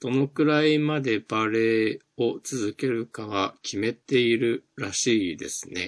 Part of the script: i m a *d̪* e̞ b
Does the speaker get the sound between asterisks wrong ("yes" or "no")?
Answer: no